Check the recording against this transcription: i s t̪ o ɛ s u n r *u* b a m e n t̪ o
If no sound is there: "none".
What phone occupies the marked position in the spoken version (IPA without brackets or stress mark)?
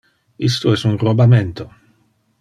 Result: o